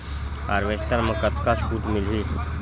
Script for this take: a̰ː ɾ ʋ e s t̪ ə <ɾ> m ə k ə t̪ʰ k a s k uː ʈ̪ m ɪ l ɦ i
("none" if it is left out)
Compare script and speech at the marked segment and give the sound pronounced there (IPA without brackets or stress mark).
ɾ